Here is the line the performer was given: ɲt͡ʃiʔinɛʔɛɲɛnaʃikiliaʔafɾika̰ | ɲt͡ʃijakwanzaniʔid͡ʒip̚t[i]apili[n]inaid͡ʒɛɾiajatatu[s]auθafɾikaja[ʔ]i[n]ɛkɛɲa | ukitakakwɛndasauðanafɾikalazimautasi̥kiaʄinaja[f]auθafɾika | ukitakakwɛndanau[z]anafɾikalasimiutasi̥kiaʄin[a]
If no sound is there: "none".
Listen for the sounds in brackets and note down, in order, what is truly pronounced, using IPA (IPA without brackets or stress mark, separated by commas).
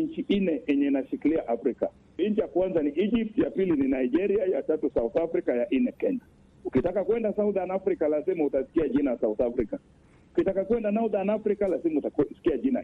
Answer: j, n, s, ʔ, n, s, ð, a